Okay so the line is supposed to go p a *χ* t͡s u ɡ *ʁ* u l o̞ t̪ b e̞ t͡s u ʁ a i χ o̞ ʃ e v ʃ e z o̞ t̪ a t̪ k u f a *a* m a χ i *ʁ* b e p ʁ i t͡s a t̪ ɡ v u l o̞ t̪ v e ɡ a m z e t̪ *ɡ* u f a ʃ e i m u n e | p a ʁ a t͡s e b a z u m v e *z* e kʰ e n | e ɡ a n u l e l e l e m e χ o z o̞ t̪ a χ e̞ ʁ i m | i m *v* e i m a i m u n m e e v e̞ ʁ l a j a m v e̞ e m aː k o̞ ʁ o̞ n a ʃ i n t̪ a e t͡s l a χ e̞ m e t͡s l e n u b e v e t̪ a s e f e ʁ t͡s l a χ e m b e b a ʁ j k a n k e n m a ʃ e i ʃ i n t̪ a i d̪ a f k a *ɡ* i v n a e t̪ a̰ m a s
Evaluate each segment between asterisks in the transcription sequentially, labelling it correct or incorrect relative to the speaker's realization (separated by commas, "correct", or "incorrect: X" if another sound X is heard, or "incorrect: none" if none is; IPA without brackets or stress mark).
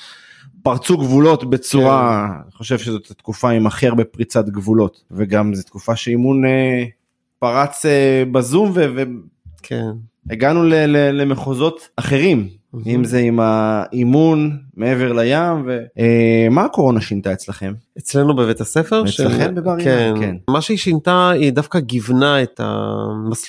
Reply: incorrect: ʁ, incorrect: v, incorrect: i, correct, incorrect: k, incorrect: v, incorrect: z, correct